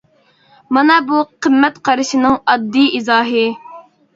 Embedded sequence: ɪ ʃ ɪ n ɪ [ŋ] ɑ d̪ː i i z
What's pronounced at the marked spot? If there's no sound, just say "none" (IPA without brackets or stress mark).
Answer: ŋ